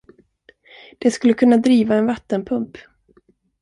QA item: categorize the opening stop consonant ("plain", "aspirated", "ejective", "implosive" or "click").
plain